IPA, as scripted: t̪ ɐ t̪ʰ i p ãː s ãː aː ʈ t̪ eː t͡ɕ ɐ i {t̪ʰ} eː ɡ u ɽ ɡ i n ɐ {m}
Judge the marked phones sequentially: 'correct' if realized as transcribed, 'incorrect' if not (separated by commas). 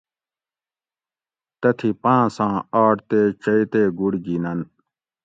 incorrect, incorrect